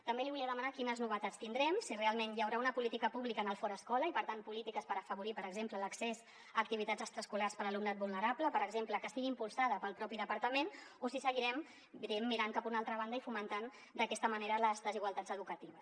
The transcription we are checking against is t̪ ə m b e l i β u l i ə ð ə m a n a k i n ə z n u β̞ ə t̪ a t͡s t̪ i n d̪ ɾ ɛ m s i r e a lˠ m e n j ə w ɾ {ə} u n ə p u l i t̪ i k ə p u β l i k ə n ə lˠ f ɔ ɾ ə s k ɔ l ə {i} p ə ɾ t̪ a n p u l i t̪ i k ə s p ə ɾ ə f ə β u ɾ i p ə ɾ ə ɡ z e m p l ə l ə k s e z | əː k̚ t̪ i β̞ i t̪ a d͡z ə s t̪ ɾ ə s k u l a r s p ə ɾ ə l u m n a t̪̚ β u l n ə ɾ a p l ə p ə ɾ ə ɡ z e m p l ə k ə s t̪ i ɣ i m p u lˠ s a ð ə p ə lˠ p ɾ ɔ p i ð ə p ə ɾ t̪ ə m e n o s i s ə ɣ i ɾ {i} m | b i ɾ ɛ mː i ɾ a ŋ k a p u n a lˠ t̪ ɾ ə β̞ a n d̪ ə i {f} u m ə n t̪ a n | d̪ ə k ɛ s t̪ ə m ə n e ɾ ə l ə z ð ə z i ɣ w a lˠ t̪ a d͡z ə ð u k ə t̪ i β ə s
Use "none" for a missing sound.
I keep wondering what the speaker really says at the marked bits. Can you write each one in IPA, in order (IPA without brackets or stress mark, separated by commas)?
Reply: a, i, ɛ, f